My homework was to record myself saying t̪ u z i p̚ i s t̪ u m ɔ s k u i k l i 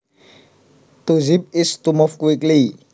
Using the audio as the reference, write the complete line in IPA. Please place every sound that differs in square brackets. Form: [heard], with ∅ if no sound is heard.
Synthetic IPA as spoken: t̪ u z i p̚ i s t̪ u m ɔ [f] k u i k l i